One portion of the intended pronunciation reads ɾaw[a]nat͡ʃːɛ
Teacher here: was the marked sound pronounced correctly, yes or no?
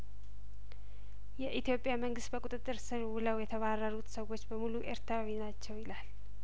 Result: no